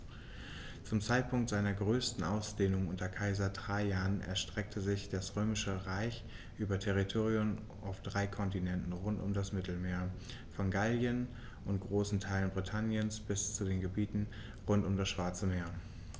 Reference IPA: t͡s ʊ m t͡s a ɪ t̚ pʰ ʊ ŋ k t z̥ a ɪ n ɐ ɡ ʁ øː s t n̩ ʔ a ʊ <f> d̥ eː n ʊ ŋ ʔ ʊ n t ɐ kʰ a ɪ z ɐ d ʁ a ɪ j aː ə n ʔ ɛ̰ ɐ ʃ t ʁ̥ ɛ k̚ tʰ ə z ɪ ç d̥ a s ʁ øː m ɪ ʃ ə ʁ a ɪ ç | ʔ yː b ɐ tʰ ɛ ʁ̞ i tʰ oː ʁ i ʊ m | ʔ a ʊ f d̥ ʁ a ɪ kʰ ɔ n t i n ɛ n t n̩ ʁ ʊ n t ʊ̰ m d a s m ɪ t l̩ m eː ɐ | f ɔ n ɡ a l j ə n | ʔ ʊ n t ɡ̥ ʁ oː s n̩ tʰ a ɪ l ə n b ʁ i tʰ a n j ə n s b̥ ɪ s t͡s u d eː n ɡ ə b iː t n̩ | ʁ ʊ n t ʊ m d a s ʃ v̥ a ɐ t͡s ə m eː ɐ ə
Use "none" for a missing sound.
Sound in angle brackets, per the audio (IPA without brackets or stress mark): s